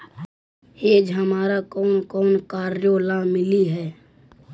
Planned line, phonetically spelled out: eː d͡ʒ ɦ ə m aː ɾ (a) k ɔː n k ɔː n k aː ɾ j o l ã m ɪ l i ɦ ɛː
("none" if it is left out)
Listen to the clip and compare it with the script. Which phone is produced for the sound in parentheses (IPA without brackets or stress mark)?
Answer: a